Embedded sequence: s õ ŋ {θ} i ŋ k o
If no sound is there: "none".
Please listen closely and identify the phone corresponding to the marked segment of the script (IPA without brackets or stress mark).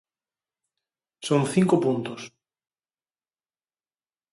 θ